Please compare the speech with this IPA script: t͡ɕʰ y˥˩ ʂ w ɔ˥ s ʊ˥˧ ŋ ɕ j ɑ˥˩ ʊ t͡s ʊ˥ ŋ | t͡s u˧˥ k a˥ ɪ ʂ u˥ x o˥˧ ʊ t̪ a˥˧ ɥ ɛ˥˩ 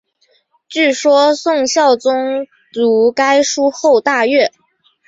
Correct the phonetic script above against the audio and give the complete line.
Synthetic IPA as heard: t͡ɕ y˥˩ ʂ w ɔ˥ s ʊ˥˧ ŋ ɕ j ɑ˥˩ ʊ t͡s ʊ˥ ŋ | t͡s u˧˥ k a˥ ɪ ʂ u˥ x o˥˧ ʊ t̪ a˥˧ ɥ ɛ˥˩